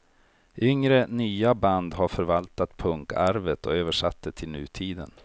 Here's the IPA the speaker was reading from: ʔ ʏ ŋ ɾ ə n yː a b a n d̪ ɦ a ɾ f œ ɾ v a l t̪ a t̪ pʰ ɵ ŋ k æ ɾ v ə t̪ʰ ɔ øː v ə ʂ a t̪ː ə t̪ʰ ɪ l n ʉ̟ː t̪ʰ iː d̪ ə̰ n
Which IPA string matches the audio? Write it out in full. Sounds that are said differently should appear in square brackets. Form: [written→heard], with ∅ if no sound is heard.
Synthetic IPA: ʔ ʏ ŋ ɾ ə n yː a b a n d̪ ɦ a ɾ f œ ɾ v a l t̪ a t̪ pʰ ɵ ŋ k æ ɾ v ə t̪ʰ ɔ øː v ə ʂ a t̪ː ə t̪ʰ ɪ l n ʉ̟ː t̪ʰ iː d̪ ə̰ n